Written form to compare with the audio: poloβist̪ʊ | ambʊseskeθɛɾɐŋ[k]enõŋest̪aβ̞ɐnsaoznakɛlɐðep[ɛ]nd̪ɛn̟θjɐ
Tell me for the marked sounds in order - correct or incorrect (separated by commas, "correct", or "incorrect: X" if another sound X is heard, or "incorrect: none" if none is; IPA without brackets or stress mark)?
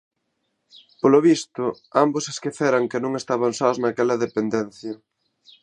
correct, incorrect: e